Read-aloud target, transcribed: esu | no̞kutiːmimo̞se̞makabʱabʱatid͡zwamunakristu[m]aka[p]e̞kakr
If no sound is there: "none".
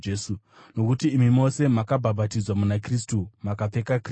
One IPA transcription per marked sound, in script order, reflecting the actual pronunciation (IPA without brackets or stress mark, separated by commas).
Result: m, p͡f